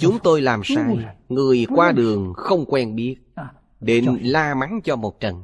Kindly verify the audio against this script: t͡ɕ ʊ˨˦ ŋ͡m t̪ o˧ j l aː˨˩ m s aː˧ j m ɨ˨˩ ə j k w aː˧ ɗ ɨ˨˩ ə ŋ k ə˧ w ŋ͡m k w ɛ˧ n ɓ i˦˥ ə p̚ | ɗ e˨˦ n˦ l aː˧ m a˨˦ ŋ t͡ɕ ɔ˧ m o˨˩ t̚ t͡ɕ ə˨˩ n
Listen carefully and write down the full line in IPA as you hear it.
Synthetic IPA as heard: t͡ɕ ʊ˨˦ ŋ͡m t̪ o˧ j l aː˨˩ m s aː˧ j ŋ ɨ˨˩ ə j k w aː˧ ɗ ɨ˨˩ ə ŋ x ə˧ w ŋ͡m k w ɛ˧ n ɓ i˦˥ ə t̚ | ɗ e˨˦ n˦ l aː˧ m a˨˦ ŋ t͡ɕ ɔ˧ m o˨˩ t̚ t͡ɕ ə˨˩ n